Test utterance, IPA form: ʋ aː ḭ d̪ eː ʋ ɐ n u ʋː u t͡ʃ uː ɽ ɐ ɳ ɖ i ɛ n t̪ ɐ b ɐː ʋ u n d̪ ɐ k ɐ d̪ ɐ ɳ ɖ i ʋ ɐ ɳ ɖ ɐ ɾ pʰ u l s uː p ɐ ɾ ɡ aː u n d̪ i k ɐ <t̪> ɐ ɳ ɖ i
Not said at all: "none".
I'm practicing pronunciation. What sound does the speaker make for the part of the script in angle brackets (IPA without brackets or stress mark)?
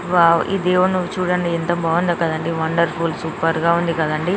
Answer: d̪